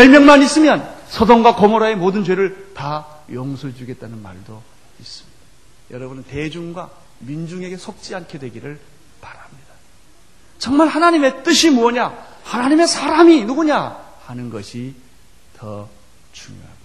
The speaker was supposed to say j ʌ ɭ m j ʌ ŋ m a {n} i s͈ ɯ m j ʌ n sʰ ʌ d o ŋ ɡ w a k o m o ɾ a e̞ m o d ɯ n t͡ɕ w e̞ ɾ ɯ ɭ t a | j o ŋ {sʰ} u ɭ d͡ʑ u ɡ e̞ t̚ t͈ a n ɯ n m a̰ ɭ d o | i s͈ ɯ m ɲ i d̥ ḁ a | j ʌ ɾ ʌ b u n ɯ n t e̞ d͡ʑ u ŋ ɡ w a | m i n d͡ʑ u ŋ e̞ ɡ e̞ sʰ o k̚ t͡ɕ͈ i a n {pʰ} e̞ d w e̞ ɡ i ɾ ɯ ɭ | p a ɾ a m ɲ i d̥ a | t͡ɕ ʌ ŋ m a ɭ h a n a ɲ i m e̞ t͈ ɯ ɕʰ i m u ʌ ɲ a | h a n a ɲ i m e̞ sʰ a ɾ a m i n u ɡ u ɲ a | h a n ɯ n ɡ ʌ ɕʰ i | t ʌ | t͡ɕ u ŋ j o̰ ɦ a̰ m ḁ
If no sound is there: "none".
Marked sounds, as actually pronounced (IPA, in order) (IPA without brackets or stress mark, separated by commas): n, sʰ, kʰ